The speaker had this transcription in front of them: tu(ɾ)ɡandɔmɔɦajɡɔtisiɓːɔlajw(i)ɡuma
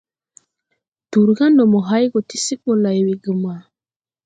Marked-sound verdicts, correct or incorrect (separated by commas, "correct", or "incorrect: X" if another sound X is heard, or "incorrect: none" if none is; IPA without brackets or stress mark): correct, correct